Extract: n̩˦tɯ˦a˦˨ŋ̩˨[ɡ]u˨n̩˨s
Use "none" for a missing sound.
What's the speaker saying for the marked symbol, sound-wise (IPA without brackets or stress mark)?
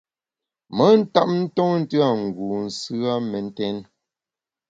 ɡ